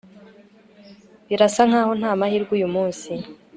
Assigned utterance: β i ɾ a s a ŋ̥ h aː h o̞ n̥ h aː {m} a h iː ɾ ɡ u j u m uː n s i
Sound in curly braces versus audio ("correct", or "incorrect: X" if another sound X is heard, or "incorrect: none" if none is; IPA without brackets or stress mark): correct